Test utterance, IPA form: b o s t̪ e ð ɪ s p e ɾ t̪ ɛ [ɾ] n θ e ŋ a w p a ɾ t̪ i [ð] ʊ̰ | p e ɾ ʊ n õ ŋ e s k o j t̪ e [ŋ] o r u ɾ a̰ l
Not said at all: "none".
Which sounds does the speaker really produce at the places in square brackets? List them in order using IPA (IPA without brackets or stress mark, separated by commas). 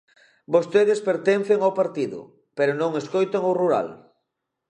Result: none, ð, ŋ